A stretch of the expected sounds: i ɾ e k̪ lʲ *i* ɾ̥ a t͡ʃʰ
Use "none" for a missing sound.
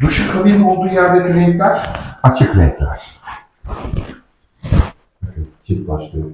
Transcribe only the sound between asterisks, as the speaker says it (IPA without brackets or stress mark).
æ